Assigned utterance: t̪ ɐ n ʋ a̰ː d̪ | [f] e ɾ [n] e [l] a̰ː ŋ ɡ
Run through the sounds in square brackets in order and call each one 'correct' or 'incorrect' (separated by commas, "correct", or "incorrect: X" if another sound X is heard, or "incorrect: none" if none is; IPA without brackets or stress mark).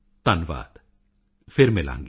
correct, incorrect: m, correct